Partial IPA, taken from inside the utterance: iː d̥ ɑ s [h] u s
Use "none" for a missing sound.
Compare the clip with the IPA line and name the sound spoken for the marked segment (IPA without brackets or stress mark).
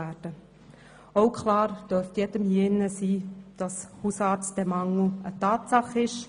h